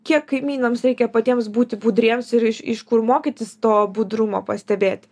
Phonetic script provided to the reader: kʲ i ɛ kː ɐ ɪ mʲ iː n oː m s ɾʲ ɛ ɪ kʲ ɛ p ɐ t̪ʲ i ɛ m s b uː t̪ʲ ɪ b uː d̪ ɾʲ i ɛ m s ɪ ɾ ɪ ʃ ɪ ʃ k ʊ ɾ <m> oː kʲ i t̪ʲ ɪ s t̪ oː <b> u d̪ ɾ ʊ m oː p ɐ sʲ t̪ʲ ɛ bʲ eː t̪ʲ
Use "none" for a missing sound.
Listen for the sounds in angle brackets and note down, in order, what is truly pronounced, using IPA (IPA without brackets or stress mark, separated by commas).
m, b